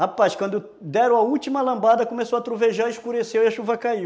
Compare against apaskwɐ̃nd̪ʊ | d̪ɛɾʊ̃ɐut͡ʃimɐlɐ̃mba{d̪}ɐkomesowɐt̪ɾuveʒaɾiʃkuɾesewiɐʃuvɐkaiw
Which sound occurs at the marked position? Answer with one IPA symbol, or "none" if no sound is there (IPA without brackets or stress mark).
d̪